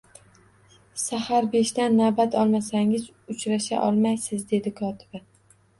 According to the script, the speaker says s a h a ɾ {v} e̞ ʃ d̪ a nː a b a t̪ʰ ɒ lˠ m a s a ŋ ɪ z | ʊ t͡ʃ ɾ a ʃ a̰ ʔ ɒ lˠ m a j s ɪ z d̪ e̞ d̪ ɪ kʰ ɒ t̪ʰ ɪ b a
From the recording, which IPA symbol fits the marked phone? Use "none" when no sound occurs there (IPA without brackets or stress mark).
b